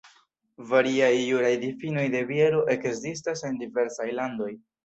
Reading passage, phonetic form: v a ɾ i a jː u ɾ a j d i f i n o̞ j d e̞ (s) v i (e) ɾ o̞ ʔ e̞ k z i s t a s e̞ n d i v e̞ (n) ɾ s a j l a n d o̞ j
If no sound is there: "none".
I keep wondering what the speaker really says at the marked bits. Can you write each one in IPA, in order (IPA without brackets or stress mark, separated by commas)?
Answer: none, e, none